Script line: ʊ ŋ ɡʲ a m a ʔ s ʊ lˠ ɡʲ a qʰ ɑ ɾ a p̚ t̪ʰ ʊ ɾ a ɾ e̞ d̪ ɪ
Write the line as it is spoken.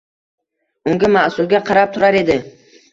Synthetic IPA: ʊ ŋ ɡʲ a m a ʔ s ʊ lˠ ɡʲ a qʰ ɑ ɾ a p̚ t̪ʰ ʊ ɾ a ɾ e̞ d̪ ɪ

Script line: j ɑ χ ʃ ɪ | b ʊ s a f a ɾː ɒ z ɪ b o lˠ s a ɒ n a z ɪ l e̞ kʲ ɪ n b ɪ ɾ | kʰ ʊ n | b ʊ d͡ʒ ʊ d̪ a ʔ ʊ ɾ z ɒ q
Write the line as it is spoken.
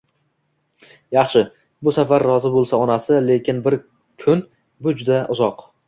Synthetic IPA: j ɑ χ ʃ ɪ | b ʊ s a f a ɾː ɒ z ɪ b o lˠ s a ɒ n a s ɪ l e̞ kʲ ɪ n b ɪ ɾ | kʰ ʊ n | b ʊ d͡ʒ ʊ d̪ a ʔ ʊ z ɒ q

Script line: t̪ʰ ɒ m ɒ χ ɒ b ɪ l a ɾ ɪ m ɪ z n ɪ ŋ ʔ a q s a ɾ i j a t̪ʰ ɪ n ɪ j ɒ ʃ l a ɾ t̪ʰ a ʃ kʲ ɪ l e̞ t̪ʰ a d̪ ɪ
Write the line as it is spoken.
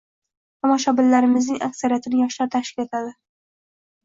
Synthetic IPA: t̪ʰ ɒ m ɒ ʃ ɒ b ɪ lː a ɾ ɪ m ɪ z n ɪ ŋ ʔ a k s a ɾ i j a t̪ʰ ɪ n ɪ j ɒ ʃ l a ɾ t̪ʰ a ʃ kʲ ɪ l e̞ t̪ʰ a d̪ ɪ

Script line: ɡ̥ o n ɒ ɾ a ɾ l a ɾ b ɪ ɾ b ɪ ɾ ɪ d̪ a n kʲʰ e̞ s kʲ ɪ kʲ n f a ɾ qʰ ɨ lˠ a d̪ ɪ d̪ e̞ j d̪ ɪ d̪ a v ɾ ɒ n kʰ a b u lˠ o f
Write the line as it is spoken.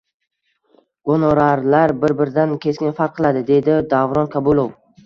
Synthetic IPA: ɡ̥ o n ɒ ɾ a ɾ l a ɾ b ɪ ɾ b ɪ ɾ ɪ d̪ a n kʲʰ e̞ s kʲ ɪ n f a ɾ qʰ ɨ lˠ a d̪ ɪ d̪ e̞ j d̪ ɪ d̪ a v ɾ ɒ n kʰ a b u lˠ o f

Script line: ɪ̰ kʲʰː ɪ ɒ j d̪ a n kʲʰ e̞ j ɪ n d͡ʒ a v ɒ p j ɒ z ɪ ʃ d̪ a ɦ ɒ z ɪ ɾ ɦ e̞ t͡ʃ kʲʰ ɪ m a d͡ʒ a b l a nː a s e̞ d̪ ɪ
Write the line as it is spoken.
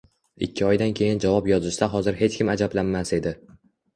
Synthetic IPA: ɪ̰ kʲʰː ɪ ɒ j d̪ a n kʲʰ e̞ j ɪ n d͡ʒ a v ɒ p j ɒ z ɪ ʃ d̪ a ɦ ɒ z ɪ ɾ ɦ e̞ t͡ʃ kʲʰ ɪ m a d͡ʒ a b l a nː a s e̞ d̪ ɪ

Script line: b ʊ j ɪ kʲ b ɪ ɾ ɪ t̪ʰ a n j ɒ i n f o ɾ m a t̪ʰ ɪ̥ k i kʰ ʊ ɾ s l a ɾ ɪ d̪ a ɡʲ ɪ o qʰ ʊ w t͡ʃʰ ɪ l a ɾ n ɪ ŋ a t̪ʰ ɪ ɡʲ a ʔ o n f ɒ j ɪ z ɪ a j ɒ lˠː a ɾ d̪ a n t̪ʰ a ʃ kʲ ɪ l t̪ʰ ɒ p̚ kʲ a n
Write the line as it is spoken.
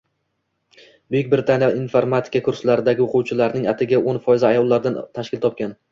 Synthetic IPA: b ʊ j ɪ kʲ b ɪ ɾ ɪ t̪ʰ a n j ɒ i n f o ɾ m a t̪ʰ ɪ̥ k a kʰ ʊ ɾ s l a ɾ ɪ d̪ a ɡʲ ɪ o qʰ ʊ w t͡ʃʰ ɪ l a ɾ n ɪ ŋ a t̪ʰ ɪ ɡʲ a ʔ o n f ɒ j ɪ z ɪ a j ɒ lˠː a ɾ d̪ a n t̪ʰ a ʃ kʲ ɪ l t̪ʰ ɒ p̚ kʲ a n

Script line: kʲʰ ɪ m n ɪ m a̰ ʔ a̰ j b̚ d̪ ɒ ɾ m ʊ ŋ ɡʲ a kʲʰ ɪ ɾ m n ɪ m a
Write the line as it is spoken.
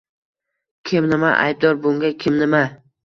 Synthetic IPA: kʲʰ ɪ m n ɪ m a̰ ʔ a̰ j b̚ d̪ ɒ ɾ b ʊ ŋ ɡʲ a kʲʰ ɪ m n ɪ m a

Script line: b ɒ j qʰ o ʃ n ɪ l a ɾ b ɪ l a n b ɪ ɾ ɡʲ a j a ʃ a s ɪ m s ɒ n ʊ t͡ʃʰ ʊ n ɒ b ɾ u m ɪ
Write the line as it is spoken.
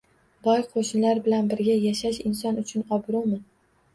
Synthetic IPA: b ɒ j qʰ o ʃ n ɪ l a ɾ b ɪ l a n b ɪ ɾ ɡʲ a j a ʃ a ʃ ɪ n s ɒ n ʊ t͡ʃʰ ʊ n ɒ b ɾ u m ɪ

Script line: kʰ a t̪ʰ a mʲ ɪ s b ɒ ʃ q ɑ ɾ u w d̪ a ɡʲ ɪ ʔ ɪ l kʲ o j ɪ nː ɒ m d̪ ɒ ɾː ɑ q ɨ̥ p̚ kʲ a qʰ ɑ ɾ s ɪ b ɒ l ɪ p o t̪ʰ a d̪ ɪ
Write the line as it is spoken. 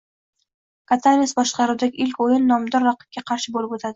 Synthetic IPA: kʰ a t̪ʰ a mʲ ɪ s b ɒ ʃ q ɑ ɾ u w d̪ a ɡʲ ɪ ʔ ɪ l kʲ o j ɪ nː ɒ m d̪ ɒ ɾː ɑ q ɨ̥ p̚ kʲ a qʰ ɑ ɾ ʃ ɪ b o l ɪ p o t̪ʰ a d̪ ɪ

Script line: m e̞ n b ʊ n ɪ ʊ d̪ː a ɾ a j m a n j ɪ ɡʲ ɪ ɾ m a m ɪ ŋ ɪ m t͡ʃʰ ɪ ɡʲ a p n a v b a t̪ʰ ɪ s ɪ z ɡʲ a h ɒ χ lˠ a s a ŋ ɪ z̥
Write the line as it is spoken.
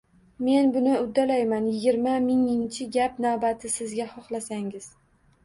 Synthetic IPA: m e̞ n b ʊ n ɪ ʊ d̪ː a l a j m a n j ɪ ɡʲ ɪ ɾ m a m ɪ ŋ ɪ ŋ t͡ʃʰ ɪ ɡʲ a p n a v b a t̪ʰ ɪ s ɪ z ɡʲ a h ɒ χ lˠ a s a ŋ ɪ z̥

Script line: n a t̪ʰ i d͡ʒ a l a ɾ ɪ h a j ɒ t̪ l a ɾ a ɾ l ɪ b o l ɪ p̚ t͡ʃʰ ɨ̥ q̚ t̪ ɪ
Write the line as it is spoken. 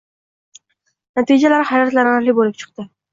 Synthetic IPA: n a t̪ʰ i d͡ʒ a l a ɾ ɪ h a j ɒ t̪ l a ɾ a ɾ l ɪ b o l ɪ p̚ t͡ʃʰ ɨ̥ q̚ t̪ ɪ

